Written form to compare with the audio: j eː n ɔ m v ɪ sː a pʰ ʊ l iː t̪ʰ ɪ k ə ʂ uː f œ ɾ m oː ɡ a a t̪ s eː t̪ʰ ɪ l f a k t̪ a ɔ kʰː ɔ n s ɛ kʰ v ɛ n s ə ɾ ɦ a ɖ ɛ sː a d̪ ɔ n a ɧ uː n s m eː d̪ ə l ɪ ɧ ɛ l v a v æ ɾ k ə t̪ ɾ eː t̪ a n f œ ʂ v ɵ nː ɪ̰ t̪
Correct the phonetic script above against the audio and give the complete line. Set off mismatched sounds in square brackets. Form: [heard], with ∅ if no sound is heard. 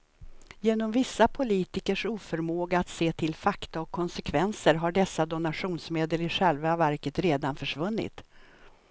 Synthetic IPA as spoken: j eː n ɔ m v ɪ sː a pʰ ʊ l iː [t̪] ɪ k ə ʂ uː f œ ɾ m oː ɡ a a t̪ s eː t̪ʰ ɪ l f a k t̪ a ɔ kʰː ɔ n s ɛ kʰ v ɛ n s ə ɾ ɦ a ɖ ɛ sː a d̪ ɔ n a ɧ uː n s m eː d̪ ə l ɪ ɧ ɛ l v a v æ ɾ k ə t̪ ɾ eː [d̪] a n f œ ʂ v ɵ nː ɪ̰ t̪